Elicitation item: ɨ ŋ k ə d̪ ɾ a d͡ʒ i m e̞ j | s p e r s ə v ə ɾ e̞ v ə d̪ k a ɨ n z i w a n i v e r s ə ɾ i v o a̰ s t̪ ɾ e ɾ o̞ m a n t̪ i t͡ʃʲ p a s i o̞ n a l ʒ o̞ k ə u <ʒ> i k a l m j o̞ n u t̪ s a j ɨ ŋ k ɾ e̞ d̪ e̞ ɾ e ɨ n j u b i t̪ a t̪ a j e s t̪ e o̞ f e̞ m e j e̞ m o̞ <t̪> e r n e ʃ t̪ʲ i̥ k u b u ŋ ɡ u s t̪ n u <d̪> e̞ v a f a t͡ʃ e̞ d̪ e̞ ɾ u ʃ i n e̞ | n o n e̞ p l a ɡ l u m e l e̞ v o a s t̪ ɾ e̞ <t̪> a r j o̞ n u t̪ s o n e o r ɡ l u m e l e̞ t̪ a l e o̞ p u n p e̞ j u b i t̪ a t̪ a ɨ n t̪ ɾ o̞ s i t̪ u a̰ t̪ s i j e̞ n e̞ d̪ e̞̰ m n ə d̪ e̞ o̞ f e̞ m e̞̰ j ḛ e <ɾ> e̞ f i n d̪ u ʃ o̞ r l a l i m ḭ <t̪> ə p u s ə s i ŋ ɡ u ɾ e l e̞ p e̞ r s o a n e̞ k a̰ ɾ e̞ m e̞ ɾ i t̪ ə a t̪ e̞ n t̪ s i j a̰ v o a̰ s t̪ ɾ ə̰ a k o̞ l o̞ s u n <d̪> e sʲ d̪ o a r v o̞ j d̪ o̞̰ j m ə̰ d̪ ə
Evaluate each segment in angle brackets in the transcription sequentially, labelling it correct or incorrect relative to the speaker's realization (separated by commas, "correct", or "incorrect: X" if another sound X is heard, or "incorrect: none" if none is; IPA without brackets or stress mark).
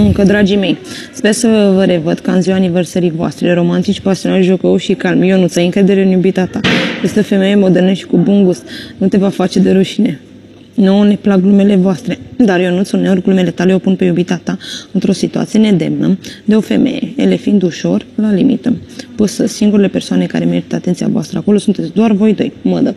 incorrect: ʃ, incorrect: d̪, incorrect: t̪, incorrect: d̪, incorrect: l, correct, incorrect: t̪